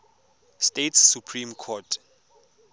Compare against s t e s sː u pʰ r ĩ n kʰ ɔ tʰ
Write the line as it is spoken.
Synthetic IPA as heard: s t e t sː u pʰ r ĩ m kʰ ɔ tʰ